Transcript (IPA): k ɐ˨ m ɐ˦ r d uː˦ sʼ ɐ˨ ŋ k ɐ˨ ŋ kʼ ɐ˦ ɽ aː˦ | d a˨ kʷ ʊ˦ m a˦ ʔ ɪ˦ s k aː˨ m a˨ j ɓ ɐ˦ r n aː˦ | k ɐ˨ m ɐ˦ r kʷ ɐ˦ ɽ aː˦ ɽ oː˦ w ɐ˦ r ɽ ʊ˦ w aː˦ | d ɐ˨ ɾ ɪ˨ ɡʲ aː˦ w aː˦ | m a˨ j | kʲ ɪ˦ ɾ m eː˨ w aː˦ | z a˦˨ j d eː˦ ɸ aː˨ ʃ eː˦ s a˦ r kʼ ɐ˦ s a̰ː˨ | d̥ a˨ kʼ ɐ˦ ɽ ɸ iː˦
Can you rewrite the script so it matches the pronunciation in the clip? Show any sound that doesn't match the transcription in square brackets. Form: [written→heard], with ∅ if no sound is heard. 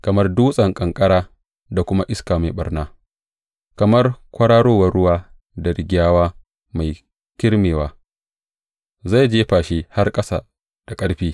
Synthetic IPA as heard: k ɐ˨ m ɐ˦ r d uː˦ sʼ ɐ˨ ŋ [k→kʼ] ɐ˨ ŋ kʼ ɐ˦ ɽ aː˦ | d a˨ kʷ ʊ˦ m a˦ ʔ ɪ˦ s k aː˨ m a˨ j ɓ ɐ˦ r n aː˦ | k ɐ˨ m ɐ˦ r kʷ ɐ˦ ɽ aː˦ ɽ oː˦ w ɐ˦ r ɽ ʊ˦ w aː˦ | d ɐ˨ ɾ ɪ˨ ɡʲ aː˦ w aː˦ | m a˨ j | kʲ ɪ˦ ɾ m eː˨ w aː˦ | z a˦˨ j [d→d͡ʒ] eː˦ ɸ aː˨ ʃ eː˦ [s→h] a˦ r kʼ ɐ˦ s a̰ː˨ | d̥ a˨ kʼ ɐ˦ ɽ ɸ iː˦